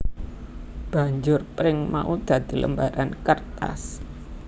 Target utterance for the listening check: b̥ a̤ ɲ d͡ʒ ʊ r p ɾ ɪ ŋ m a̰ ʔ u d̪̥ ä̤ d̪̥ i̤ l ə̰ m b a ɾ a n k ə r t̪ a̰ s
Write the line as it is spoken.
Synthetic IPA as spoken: b̥ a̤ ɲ d͡ʒ ʊ r p ɾ ɪ ŋ m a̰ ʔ u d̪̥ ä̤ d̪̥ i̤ l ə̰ m b a ɾ a n k ə r t̪ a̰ s